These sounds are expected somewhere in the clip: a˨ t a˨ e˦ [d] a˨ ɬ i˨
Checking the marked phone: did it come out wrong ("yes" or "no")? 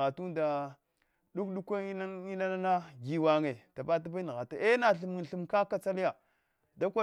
yes